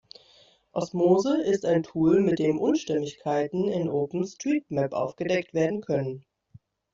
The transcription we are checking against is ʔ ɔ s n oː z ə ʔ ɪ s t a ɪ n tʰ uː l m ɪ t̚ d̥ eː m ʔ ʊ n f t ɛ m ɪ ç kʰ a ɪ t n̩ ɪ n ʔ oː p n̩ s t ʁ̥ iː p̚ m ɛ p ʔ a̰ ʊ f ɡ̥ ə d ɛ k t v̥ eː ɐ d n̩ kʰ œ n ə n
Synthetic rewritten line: ʔ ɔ s m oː z ə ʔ ɪ s t a ɪ n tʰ uː l m ɪ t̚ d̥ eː m ʔ ʊ n ʃ t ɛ m ɪ ç kʰ a ɪ t n̩ ɪ n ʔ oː p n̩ s t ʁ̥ iː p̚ m ɛ p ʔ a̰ ʊ f ɡ̥ ə d ɛ k t v̥ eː ɐ d n̩ kʰ œ n ə n

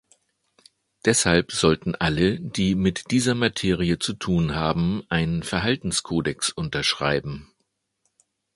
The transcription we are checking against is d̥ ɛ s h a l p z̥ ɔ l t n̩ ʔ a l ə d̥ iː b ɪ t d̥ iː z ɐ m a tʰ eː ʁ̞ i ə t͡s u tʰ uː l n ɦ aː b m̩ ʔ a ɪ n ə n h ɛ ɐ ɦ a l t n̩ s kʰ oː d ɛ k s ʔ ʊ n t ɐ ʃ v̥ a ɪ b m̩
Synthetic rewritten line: d̥ ɛ s h a l p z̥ ɔ l t n̩ ʔ a l ə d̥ iː m ɪ t d̥ iː z ɐ m a tʰ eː ʁ̞ i ə t͡s u tʰ uː n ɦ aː b m̩ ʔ a ɪ n ə n f ɛ ɐ ɦ a l t n̩ s kʰ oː d ɛ k s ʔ ʊ n t ɐ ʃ ʁ̥ a ɪ b m̩

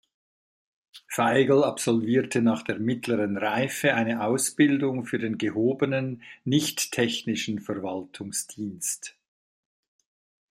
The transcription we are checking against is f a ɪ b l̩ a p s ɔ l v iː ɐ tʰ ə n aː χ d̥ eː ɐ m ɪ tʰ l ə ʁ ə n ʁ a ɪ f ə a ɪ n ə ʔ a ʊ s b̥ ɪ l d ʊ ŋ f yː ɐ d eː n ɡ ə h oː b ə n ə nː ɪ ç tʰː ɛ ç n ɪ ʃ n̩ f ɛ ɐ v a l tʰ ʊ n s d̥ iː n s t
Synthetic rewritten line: f a ɪ ɡ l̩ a p s ɔ l v iː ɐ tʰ ə n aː χ d̥ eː ɐ m ɪ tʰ l ə ʁ ə n ʁ a ɪ f ə a ɪ n ə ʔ a ʊ s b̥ ɪ l d ʊ ŋ f yː ɐ d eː n ɡ ə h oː b ə n ə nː ɪ ç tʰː ɛ ç n ɪ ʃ n̩ f ɛ ɐ v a l tʰ ʊ ŋ s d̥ iː n s t

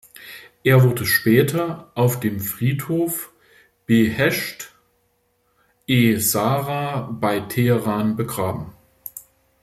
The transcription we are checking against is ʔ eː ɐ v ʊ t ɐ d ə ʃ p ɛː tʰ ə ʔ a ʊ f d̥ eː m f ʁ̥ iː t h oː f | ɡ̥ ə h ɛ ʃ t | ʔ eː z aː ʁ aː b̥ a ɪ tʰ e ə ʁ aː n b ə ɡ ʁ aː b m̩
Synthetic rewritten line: ʔ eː ɐ v ʊ ɐ d ə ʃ p ɛː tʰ ɐ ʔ a ʊ f d̥ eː m f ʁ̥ iː t h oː f | b̥ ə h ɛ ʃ t | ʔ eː z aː ʁ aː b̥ a ɪ tʰ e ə ʁ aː n b ə ɡ ʁ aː b m̩

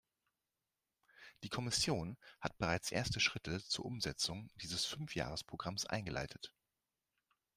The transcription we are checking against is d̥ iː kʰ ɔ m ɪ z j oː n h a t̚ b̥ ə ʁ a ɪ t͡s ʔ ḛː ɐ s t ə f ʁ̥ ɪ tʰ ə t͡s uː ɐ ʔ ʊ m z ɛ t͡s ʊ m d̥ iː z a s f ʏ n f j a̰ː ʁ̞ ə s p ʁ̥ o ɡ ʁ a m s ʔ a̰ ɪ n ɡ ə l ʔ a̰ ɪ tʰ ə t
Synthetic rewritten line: d̥ iː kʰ ɔ m ɪ s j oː n h a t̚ b̥ ə ʁ a ɪ t͡s ʔ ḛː ɐ s t ə ʃ ʁ̥ ɪ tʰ ə t͡s uː ɐ ʔ ʊ m z ɛ t͡s ʊ ŋ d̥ iː z ə s f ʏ n f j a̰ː ʁ̞ ə s p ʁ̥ o ɡ ʁ a m s ʔ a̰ ɪ n ɡ ə l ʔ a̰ ɪ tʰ ə t

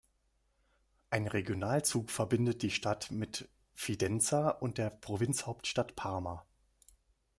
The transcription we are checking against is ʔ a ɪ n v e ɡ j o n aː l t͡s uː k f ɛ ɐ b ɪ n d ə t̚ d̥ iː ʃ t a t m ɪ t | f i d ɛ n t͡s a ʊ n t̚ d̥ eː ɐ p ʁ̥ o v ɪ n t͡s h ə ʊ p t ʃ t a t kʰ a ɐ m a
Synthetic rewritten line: ʔ a ɪ n ʁ e ɡ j o n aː l t͡s uː k f ɛ ɐ b ɪ n d ə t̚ d̥ iː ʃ t a t m ɪ t | f i d ɛ n t͡s a ʊ n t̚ d̥ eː ɐ p ʁ̥ o v ɪ n t͡s h a ʊ p t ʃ t a t pʰ a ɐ m a

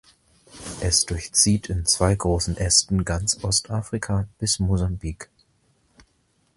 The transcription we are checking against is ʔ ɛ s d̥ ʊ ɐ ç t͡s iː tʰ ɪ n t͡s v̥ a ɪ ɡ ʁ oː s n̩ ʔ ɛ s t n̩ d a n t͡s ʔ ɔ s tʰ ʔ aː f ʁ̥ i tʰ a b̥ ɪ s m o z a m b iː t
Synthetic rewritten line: ʔ ɛ s d̥ ʊ ɐ ç t͡s iː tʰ ɪ n t͡s v̥ a ɪ ɡ ʁ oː s n̩ ʔ ɛ s t n̩ ɡ a n t͡s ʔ ɔ s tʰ ʔ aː f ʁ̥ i kʰ a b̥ ɪ s m o z a m b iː k

